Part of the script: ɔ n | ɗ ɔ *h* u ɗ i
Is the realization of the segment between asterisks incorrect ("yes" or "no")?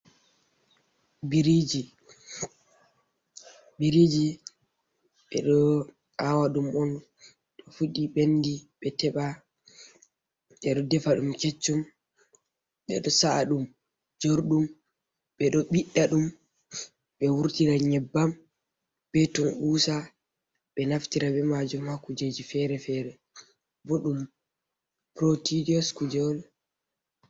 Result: yes